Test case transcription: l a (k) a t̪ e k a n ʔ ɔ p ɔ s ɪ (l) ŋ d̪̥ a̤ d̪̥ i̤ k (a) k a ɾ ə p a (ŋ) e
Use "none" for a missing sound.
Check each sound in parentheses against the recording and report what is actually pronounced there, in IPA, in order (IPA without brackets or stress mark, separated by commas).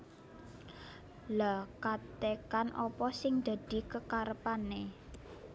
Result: k, none, ə, n